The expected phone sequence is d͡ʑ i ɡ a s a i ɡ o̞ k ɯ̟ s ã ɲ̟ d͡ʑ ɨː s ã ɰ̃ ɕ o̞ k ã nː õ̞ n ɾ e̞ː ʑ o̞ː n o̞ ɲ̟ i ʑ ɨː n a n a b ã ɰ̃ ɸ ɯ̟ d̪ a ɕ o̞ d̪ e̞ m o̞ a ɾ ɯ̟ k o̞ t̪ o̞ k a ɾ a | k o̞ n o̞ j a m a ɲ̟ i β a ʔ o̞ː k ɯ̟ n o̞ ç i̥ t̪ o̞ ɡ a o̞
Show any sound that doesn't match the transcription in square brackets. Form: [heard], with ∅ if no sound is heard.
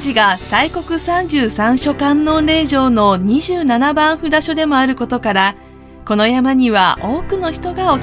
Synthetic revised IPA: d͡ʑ i ɡ a s a i [k] o̞ k ɯ̟ s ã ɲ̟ d͡ʑ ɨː s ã ɰ̃ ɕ o̞ k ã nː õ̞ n ɾ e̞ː ʑ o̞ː n o̞ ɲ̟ i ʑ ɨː n a n a b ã ɰ̃ ɸ ɯ̟ d̪ a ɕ o̞ d̪ e̞ m o̞ a ɾ ɯ̟ k o̞ t̪ o̞ k a ɾ a | k o̞ n o̞ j a m a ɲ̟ i β a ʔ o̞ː k ɯ̟ n o̞ ç i̥ t̪ o̞ ɡ a o̞

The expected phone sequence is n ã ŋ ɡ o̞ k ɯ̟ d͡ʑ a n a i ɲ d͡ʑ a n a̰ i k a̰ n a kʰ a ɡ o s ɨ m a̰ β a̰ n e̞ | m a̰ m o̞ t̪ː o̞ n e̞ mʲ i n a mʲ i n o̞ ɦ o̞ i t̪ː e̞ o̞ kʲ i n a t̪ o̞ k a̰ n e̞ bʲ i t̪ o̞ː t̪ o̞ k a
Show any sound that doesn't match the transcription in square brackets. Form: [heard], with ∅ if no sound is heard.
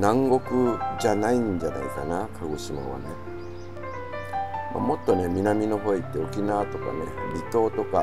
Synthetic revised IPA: n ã ŋ ɡ o̞ k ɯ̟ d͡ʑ a n a i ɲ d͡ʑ a n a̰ i k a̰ n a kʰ a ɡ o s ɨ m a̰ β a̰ n e̞ | m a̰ m o̞ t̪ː o̞ n e̞ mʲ i n a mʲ i n o̞ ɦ o̞ i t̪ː e̞ o̞ kʲ i n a t̪ o̞ k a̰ n e̞ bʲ i t̪ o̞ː t̪ o̞ k a

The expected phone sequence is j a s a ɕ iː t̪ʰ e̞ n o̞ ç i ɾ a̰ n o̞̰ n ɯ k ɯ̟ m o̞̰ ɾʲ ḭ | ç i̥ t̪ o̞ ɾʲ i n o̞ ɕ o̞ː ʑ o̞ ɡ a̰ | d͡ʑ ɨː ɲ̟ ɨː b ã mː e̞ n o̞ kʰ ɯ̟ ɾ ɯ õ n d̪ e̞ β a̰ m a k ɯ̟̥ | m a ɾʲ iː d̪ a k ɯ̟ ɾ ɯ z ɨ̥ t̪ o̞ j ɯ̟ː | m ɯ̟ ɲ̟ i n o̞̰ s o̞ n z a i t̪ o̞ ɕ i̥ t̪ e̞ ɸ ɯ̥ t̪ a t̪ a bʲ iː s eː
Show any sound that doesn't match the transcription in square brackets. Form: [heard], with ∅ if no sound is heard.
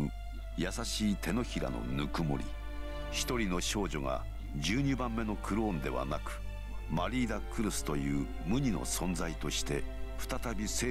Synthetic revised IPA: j a s a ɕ iː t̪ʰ e̞ n o̞ ç i ɾ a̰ n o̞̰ n ɯ k ɯ̟ m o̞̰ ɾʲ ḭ | ç i̥ t̪ o̞ ɾʲ i n o̞ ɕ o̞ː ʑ o̞ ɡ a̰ | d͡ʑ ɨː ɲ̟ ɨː b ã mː e̞ n o̞ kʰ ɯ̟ ɾ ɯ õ n d̪ e̞ β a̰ [n] a k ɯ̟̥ | m a ɾʲ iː d̪ a k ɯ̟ ɾ ɯ [s] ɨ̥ t̪ o̞ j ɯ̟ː | m ɯ̟ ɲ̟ i n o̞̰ s [õ̞] n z a i t̪ o̞ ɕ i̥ t̪ e̞ ɸ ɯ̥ t̪ a t̪ a bʲ [i] s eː

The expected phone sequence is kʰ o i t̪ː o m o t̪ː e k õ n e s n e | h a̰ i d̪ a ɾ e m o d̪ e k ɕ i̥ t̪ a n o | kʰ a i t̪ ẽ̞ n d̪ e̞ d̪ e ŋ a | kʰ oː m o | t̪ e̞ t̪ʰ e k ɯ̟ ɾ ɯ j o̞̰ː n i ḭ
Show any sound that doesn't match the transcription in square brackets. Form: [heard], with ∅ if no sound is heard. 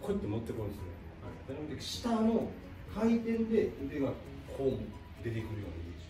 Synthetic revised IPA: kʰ o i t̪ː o m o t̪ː e k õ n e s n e | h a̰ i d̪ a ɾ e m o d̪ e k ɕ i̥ t̪ a n o | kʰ a i t̪ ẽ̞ n d̪ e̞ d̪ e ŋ a | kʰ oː m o | [d̪] e̞ [t̪] e k ɯ̟ ɾ ɯ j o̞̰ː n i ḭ

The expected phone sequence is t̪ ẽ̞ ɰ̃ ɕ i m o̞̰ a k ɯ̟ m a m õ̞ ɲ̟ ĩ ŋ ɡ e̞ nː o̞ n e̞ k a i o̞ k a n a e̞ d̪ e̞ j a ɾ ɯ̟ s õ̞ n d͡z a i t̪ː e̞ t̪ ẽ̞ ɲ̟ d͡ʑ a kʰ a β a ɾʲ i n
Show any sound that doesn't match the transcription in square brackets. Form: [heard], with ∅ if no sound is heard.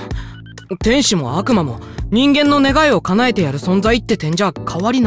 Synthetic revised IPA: t̪ ẽ̞ ɰ̃ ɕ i m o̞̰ a k ɯ̟ m a m [o̞] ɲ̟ ĩ ŋ ɡ [ẽ̞] nː o̞ n e̞ [ɡ] a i o̞ k a n a e̞ [t̪] e̞ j a ɾ ɯ̟ s õ̞ n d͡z a i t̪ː e̞ t̪ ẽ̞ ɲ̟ d͡ʑ a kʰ a β a ɾʲ i n

